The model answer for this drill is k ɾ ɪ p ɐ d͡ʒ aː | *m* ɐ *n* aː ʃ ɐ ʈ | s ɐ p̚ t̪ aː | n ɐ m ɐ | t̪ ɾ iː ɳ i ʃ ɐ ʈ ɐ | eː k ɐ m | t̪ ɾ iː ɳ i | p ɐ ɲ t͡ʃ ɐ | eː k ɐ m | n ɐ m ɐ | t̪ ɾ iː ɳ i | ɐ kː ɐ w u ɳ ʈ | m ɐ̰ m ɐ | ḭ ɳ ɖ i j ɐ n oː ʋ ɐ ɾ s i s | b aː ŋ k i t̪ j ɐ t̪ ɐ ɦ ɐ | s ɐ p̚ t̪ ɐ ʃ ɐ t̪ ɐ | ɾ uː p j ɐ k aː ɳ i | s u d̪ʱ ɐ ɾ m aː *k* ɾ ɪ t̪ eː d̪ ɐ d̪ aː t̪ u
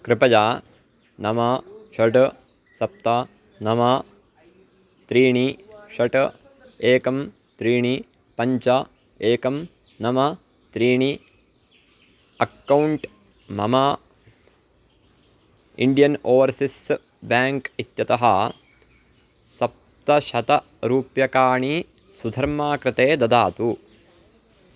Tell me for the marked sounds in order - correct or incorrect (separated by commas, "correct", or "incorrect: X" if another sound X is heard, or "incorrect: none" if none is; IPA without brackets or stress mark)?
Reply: incorrect: n, incorrect: m, correct